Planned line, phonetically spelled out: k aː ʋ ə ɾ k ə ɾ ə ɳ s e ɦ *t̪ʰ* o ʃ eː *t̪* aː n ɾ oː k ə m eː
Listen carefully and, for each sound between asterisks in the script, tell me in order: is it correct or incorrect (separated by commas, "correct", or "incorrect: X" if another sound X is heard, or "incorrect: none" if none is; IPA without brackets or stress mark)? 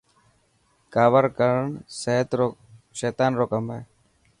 incorrect: t̪, correct